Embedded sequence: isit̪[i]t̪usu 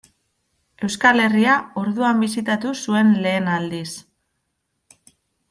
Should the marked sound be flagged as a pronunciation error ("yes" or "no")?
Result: yes